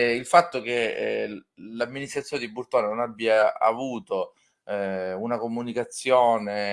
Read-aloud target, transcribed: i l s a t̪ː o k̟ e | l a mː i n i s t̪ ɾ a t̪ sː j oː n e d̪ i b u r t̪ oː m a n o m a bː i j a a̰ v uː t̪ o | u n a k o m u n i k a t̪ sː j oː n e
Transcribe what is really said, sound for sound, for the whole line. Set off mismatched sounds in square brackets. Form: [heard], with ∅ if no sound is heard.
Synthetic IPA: i l [f] a t̪ː o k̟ e | l a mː i n i s t̪ ɾ a t̪ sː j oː n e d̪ i b u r t̪ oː [n] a n o [n] a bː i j a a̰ v uː t̪ o | u n a k o m u n i k a t̪ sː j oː n e